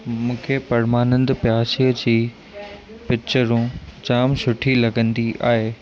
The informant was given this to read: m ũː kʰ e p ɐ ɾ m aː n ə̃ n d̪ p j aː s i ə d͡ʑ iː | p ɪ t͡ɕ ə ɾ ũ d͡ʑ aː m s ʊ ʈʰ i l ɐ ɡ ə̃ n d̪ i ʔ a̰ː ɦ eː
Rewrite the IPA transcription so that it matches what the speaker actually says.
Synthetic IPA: m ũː kʰ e p ɐ ɾ m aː n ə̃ n d̪ p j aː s i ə d͡ʑ iː | p ɪ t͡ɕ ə ɾ ũ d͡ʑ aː m s ʊ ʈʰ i l ɐ ɡ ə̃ n d̪ i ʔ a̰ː ɦ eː